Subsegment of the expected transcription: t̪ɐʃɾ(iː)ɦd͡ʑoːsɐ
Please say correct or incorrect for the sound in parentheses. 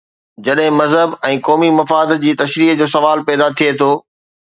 correct